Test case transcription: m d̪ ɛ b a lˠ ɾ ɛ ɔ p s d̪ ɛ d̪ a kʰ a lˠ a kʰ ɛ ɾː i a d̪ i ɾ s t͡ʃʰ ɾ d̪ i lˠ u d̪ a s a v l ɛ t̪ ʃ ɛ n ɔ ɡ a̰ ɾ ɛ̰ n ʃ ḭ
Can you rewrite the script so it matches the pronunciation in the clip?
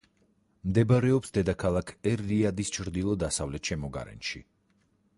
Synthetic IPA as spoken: m d̪ ɛ b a ɾ ɛ ɔ p s d̪ ɛ d̪ a kʰ a lˠ a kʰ ɛ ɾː i a d̪ i s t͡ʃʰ ɾ d̪ i lˠ ɔ d̪ a s a v l ɛ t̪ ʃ ɛ m ɔ ɡ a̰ ɾ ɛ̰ n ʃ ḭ